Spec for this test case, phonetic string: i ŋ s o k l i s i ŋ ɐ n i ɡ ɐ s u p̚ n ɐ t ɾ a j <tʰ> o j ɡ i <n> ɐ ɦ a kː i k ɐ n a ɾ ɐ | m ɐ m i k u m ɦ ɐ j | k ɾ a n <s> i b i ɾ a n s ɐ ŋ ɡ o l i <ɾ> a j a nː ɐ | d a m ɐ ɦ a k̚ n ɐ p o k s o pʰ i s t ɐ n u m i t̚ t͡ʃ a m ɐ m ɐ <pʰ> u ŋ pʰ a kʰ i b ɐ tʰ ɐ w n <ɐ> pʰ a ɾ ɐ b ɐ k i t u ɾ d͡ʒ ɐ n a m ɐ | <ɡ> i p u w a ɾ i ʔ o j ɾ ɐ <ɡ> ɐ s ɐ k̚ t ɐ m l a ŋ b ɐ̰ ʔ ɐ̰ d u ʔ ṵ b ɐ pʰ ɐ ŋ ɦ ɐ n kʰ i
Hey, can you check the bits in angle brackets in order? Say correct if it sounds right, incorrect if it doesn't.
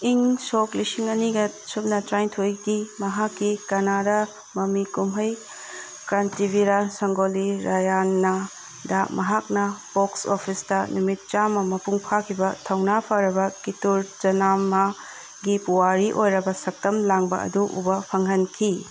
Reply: correct, incorrect: m, incorrect: t, correct, incorrect: p, incorrect: a, correct, incorrect: b

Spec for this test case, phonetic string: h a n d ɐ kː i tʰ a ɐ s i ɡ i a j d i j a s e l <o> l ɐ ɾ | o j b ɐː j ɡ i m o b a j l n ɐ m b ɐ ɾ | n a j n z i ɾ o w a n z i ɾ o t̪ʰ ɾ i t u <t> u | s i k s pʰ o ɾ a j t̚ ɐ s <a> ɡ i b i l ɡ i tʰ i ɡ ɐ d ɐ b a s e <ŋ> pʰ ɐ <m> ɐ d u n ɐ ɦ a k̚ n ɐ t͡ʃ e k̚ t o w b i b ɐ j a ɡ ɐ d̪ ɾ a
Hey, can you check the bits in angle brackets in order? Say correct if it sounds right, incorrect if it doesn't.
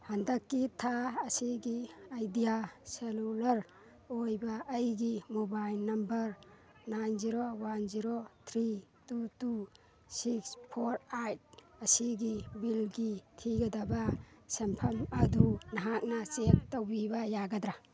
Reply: incorrect: u, correct, incorrect: i, incorrect: m, correct

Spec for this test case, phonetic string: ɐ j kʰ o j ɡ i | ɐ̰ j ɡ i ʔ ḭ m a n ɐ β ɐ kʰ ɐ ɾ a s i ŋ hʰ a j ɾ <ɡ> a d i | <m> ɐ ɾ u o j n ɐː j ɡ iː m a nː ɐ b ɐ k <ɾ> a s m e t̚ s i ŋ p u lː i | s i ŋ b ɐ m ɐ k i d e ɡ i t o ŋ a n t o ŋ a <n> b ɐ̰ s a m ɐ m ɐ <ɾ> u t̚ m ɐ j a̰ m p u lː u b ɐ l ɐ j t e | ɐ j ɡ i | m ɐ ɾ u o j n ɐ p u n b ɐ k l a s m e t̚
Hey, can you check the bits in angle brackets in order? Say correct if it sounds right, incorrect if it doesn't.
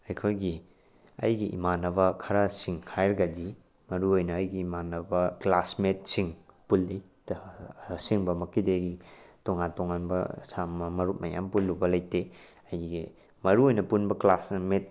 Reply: correct, correct, incorrect: l, correct, correct

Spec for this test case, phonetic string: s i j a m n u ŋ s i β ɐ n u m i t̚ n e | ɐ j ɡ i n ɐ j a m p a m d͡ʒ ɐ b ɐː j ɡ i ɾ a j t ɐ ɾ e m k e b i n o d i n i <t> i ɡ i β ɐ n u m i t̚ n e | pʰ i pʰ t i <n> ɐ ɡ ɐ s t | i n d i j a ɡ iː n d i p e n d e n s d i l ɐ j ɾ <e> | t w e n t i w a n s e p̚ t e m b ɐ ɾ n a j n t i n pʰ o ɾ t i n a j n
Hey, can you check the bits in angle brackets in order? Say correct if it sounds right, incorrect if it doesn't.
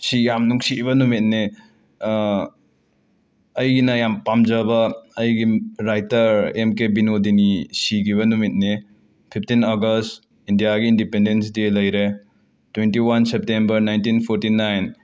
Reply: incorrect: s, correct, correct

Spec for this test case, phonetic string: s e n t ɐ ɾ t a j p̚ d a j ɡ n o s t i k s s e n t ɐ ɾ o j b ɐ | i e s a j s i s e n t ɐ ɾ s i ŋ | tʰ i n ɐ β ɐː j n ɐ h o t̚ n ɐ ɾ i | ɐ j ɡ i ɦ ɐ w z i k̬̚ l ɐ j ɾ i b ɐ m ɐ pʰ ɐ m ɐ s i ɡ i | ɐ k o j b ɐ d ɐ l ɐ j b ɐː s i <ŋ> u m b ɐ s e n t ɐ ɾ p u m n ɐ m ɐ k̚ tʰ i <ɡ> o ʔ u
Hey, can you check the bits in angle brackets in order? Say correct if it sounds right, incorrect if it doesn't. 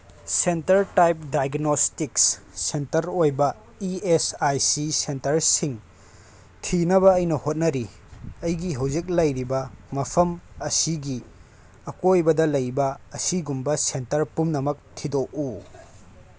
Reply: incorrect: ɡ, incorrect: d

